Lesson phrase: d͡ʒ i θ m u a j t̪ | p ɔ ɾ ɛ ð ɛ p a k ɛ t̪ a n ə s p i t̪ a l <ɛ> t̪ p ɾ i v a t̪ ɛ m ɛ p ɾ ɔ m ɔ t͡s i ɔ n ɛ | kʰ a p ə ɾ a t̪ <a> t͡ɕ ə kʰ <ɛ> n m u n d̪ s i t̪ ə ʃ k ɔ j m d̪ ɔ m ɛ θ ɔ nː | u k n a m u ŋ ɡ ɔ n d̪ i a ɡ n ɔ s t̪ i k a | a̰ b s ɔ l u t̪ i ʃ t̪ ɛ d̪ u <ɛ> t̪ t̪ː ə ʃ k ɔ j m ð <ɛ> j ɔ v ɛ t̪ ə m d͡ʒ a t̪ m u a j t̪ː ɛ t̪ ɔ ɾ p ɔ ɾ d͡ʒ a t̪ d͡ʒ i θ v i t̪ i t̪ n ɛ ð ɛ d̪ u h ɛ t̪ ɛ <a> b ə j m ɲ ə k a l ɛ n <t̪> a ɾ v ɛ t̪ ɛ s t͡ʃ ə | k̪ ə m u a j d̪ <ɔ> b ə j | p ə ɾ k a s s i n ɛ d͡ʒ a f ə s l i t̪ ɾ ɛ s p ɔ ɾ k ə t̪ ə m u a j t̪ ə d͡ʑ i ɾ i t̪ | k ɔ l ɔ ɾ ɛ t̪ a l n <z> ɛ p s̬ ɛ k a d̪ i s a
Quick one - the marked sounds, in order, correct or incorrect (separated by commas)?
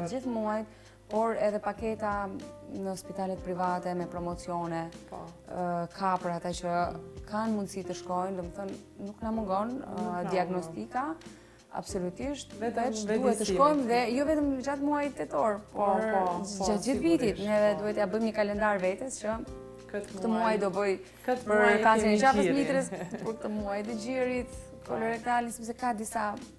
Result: correct, correct, incorrect, correct, correct, correct, incorrect, correct, incorrect